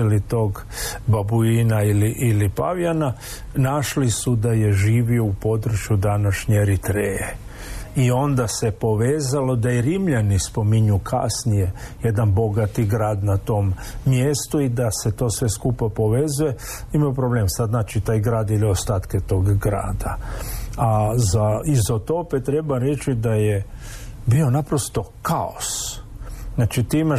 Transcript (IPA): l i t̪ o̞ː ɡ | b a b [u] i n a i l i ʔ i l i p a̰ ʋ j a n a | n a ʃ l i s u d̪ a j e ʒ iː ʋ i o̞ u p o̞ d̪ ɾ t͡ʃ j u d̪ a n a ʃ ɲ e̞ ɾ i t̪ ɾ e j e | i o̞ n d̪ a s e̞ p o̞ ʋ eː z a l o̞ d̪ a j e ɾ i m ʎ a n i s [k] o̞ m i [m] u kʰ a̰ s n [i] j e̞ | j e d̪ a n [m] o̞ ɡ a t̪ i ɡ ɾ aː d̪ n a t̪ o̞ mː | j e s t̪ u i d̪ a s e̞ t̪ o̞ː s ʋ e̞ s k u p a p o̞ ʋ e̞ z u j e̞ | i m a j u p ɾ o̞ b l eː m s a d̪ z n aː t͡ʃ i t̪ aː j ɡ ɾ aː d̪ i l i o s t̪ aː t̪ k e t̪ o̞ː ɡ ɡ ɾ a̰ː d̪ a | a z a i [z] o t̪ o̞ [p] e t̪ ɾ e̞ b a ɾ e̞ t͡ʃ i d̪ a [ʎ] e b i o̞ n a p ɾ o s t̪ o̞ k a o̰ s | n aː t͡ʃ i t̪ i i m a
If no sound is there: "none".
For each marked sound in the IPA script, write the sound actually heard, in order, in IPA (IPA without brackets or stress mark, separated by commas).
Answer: u, p, ɲ, i, b, z, p, j